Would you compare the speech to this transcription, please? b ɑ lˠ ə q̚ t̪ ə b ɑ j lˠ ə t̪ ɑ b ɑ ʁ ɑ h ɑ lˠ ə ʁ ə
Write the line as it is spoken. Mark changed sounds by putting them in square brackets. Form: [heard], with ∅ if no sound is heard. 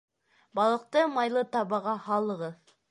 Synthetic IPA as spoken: b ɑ lˠ ə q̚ t̪ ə [m] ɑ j lˠ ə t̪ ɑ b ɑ ʁ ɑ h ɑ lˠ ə ʁ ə